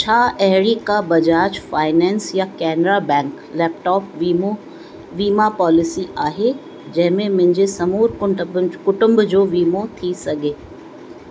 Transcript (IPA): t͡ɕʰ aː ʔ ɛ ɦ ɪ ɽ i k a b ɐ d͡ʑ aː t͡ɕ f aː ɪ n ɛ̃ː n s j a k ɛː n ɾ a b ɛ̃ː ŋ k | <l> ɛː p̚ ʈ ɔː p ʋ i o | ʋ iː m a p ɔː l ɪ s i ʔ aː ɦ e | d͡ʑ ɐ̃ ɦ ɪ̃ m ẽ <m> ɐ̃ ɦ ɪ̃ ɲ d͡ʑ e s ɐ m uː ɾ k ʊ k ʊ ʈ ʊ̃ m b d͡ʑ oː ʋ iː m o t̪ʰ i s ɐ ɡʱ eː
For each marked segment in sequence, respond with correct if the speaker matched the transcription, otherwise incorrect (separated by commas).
correct, correct